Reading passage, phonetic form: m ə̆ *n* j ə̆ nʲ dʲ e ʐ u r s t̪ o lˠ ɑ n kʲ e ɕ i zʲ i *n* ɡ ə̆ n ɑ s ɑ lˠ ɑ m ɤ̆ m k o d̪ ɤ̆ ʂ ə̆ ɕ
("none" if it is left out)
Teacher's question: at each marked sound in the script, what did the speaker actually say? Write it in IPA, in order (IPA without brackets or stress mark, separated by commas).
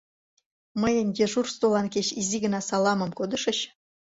none, none